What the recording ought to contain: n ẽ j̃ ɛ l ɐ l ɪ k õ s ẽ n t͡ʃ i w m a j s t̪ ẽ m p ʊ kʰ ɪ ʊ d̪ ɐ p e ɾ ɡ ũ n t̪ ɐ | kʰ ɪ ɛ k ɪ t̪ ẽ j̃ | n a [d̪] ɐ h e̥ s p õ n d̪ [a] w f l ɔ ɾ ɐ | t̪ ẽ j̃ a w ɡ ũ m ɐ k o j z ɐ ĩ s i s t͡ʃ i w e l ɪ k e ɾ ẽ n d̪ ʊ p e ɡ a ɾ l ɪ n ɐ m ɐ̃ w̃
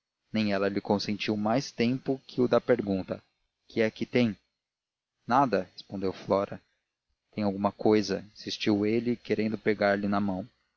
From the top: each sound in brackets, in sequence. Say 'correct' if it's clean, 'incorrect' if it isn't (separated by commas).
correct, incorrect